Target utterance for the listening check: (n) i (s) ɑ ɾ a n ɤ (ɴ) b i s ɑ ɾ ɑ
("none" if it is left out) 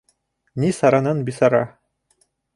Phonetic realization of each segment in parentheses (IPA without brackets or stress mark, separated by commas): n, s, n